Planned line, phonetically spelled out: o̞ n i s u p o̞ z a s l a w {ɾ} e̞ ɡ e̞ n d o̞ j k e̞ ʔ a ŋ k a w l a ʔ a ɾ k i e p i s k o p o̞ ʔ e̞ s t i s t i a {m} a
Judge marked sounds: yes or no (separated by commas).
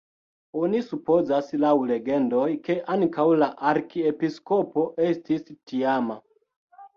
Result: no, yes